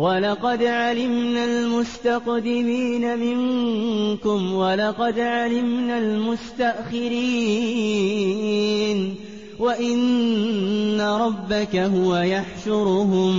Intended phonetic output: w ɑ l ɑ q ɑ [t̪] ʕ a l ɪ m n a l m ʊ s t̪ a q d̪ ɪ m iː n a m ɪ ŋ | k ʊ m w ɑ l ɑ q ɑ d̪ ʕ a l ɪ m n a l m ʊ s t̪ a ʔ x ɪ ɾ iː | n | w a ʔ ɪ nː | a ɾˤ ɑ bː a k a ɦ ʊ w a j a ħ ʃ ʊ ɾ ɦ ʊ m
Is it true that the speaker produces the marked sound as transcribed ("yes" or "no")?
no